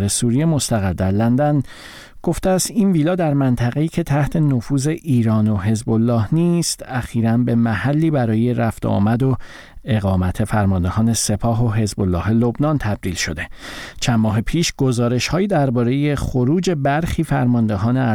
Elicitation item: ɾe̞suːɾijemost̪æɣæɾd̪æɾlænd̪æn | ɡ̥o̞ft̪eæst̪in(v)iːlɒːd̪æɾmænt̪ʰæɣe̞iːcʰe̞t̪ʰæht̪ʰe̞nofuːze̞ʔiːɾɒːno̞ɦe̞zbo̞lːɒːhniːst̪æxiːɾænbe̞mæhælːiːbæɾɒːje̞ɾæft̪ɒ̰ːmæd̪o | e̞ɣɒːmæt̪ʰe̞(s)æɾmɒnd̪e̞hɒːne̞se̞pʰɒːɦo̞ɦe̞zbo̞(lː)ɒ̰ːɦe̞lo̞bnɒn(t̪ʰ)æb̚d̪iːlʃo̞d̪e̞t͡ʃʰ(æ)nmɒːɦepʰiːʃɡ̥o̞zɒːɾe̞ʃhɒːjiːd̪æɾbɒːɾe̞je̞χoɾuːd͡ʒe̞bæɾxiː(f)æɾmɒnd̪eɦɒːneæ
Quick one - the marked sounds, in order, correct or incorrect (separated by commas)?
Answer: correct, incorrect, correct, correct, correct, correct